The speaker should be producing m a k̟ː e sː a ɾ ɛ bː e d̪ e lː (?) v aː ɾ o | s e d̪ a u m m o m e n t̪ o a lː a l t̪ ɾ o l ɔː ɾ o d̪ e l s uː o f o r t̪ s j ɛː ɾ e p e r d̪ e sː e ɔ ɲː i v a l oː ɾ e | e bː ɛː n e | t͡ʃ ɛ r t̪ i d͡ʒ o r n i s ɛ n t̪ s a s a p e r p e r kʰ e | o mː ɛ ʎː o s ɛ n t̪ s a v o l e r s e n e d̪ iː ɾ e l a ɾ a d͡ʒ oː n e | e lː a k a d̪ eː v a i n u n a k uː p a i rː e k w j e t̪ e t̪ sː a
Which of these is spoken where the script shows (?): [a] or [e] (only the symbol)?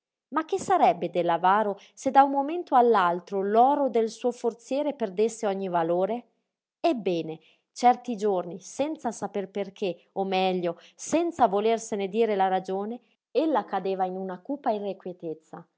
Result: a